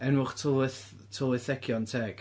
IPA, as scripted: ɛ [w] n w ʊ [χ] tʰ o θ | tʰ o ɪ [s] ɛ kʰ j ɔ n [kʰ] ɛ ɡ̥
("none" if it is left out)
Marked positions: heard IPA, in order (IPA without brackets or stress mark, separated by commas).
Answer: none, χ, θ, tʰ